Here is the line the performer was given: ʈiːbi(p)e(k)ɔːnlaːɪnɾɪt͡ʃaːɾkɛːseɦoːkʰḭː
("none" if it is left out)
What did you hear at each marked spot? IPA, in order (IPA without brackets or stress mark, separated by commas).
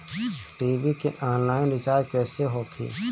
k, ʔ